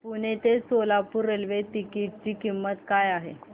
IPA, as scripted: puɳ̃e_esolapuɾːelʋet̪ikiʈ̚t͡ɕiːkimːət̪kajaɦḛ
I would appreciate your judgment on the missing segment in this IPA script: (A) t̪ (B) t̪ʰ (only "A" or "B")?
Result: A